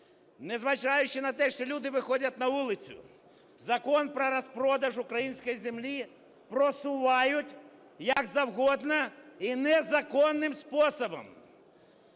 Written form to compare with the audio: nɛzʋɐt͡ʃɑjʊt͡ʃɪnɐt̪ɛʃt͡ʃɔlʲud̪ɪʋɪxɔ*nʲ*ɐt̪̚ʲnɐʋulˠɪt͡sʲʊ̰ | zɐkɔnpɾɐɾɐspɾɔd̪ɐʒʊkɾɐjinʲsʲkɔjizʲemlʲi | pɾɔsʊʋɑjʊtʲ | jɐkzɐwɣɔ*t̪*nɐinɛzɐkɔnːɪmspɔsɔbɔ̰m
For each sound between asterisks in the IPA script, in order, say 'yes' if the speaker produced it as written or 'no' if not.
no, no

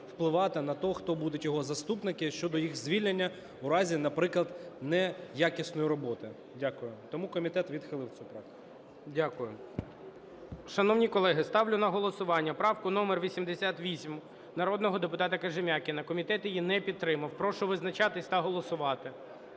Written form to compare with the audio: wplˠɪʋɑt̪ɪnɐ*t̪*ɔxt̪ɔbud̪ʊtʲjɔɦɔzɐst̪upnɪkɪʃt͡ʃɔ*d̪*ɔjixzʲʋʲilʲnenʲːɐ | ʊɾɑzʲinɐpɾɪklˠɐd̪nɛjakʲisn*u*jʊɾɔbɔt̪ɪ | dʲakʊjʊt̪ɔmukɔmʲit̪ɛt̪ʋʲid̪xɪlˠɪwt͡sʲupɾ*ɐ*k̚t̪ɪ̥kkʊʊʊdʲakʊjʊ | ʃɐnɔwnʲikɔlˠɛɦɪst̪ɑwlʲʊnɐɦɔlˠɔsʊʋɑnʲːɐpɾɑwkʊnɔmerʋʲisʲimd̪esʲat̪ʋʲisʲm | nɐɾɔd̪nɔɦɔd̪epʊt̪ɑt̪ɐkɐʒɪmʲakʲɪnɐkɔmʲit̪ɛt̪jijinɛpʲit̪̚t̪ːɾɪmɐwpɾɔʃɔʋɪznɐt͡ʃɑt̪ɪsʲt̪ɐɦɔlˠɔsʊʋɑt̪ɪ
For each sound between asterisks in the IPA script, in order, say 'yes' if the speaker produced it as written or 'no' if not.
yes, yes, no, no

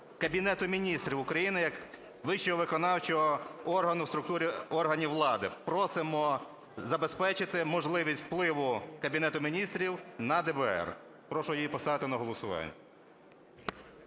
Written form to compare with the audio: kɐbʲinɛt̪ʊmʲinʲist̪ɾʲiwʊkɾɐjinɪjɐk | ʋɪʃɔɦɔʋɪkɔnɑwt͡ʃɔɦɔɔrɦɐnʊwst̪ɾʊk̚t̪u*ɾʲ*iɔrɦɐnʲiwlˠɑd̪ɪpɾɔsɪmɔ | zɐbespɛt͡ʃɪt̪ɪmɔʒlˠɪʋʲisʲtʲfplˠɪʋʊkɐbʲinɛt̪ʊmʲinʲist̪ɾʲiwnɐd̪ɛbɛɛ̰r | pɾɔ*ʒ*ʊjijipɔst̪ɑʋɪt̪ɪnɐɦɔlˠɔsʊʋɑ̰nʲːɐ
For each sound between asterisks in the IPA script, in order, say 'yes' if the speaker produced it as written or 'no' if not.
yes, no

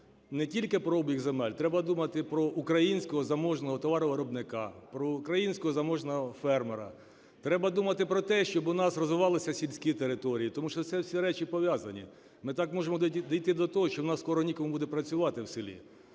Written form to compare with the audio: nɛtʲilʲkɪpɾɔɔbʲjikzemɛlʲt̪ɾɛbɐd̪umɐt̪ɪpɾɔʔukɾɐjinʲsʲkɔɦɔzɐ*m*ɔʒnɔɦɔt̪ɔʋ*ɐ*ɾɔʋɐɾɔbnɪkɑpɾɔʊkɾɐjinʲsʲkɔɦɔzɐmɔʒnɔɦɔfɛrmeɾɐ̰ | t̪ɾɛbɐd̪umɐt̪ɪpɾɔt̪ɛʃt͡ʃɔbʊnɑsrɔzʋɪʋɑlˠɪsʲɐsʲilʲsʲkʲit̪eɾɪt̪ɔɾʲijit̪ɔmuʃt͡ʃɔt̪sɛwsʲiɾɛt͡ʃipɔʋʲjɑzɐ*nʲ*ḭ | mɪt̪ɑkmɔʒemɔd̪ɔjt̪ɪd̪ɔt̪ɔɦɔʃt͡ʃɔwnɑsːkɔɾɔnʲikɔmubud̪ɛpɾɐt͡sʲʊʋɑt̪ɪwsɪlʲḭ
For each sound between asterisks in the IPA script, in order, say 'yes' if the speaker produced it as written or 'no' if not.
yes, no, yes

